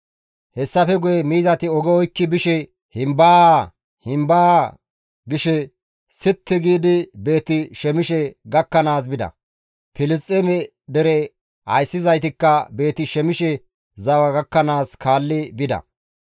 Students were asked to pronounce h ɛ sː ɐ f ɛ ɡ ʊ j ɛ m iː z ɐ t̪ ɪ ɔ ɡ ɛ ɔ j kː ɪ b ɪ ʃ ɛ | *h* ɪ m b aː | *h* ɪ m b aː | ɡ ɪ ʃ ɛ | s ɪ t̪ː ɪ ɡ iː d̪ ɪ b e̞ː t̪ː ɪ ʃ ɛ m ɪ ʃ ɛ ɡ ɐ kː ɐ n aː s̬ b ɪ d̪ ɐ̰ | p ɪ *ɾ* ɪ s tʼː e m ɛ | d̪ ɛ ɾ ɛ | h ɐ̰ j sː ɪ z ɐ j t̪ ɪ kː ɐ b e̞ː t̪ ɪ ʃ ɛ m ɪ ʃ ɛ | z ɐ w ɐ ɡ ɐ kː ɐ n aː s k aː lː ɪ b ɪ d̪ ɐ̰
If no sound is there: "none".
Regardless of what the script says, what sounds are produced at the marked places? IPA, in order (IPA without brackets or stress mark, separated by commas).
h, h, l